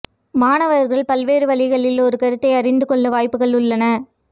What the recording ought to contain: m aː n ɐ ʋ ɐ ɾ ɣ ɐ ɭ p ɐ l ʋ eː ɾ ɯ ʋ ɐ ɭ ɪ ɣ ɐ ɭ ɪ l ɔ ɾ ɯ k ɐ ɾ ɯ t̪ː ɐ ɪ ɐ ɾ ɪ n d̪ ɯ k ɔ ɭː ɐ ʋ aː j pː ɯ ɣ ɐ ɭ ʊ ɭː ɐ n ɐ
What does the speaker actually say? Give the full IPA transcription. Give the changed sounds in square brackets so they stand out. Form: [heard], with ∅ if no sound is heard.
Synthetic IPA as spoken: m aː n ɐ ʋ ɐ ɾ ɣ ɐ ɭ p ɐ l ʋ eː ɾ ɯ ʋ ɐ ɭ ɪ ɣ ɐ ɭ ɪ l ɔ ɾ ɯ k ɐ ɾ ɯ t̪ː ɐ ɪ ɐ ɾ ɪ n d̪ ɯ k ɔ ɭː ɐ ʋ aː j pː ɯ ɣ ɐ ɭ ʊ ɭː ɐ n ɐ